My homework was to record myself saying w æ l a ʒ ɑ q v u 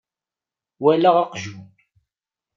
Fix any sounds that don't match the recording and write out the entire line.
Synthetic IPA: w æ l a ʁ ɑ q ʒ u